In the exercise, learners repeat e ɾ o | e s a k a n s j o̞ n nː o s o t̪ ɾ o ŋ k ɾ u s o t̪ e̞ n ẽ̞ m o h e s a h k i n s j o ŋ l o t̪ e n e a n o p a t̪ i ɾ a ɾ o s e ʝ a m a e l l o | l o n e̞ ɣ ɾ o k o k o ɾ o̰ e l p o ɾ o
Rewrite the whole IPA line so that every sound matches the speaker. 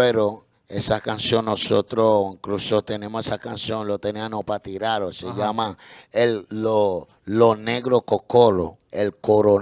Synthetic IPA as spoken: e ɾ o | e s a k a n s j o̞ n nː o s o t̪ ɾ o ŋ k ɾ u s o t̪ e̞ n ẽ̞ m o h e s a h k a n s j o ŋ l o t̪ e n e a n o p a t̪ i ɾ a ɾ o s e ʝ a m a e l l o | l o n e̞ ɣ ɾ o k o k o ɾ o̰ e l k o ɾ o